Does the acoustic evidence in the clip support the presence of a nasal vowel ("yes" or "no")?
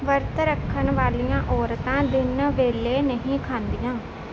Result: yes